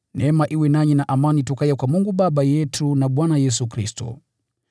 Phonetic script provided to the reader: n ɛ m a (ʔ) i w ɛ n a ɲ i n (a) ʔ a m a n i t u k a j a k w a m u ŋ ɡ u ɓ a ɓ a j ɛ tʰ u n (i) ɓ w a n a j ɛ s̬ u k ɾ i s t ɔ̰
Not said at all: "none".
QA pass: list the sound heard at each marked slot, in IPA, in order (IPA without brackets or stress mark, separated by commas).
ʔ, a, a